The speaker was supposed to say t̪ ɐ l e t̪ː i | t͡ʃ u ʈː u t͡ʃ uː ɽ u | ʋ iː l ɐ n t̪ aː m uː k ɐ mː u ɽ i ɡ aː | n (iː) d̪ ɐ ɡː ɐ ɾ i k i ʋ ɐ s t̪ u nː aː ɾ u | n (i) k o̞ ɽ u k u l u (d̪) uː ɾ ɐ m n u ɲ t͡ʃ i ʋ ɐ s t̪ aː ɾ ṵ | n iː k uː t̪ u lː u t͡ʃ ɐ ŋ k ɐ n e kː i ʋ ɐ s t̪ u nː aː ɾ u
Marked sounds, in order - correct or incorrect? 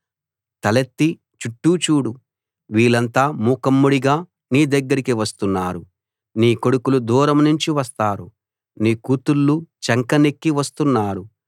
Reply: correct, incorrect, correct

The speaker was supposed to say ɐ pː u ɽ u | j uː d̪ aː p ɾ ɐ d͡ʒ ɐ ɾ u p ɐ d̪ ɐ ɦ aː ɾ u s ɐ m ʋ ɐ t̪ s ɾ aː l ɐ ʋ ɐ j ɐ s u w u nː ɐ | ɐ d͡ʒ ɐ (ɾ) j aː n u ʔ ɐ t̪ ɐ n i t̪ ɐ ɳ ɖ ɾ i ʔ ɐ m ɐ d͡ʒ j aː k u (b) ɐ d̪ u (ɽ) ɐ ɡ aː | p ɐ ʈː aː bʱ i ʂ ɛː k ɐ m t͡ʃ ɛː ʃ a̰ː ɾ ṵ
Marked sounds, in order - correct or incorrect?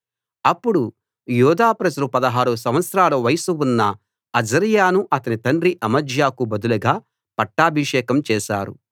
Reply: correct, correct, incorrect

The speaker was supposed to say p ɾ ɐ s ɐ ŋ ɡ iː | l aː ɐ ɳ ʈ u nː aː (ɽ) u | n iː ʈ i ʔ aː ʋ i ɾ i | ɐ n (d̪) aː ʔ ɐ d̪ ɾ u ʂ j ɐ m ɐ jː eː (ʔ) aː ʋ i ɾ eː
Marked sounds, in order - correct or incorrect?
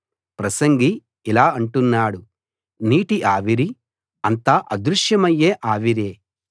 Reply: correct, incorrect, correct

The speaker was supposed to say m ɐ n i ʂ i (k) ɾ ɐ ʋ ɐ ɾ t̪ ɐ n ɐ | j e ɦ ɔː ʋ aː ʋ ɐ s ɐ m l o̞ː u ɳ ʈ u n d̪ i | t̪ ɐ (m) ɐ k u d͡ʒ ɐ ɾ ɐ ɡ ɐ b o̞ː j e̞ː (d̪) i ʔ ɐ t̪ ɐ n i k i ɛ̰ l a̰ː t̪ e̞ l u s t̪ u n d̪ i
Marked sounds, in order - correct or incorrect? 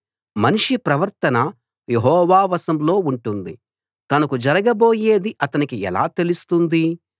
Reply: incorrect, incorrect, correct

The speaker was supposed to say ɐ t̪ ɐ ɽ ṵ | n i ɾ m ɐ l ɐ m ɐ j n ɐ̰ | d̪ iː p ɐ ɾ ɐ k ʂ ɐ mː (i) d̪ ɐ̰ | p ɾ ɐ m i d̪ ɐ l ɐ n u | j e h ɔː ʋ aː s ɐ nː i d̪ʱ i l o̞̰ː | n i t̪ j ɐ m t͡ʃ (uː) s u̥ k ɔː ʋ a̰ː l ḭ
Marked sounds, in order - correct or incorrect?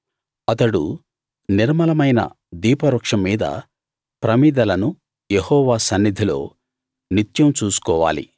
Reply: incorrect, correct

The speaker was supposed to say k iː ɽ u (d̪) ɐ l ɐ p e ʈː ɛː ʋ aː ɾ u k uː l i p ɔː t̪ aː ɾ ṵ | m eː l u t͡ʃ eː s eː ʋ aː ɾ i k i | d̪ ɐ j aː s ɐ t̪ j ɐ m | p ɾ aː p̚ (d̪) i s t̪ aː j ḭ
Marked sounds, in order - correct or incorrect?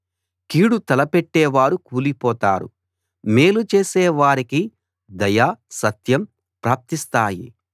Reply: incorrect, incorrect

